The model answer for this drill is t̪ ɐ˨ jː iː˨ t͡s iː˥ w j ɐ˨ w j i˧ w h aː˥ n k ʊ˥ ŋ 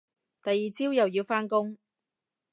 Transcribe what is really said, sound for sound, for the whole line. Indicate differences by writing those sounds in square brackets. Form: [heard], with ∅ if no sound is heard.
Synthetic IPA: t̪ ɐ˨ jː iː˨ t͡s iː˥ w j ɐ˨ w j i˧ w [f] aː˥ n k ʊ˥ ŋ